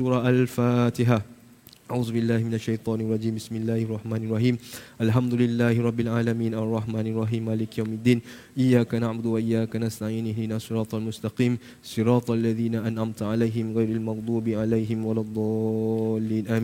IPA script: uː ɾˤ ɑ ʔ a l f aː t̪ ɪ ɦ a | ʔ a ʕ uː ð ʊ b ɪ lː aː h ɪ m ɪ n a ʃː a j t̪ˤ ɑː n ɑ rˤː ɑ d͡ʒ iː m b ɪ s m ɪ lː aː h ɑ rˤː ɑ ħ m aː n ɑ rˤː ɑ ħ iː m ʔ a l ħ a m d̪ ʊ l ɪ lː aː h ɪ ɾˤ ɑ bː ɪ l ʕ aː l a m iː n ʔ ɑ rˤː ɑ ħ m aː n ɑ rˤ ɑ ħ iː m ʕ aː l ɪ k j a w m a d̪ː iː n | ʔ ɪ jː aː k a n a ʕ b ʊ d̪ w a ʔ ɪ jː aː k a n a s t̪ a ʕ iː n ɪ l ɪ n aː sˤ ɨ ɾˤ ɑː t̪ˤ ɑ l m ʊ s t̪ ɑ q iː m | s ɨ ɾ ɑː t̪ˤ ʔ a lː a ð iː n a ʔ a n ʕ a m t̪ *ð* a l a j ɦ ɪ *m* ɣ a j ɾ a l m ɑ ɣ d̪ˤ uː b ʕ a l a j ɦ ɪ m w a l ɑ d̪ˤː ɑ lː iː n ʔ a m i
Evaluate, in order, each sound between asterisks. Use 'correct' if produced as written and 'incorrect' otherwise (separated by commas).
incorrect, correct